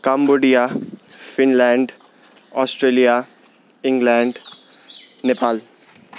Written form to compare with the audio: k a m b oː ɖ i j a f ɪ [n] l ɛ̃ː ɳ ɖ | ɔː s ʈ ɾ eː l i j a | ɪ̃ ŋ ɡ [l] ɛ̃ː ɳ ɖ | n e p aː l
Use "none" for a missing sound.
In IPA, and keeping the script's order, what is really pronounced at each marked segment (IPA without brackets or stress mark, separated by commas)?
n, l